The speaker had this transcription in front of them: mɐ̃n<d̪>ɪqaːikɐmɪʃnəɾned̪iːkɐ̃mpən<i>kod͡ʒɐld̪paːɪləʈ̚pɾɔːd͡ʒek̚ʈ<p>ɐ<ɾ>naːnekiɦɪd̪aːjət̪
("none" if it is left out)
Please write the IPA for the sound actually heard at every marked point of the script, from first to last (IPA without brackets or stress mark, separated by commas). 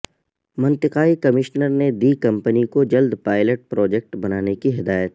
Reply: t̪, i, b, none